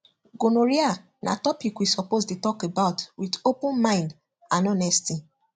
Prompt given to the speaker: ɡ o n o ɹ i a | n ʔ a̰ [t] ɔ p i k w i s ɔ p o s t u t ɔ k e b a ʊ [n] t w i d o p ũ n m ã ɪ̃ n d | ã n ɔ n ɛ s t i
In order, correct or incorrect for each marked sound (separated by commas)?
correct, incorrect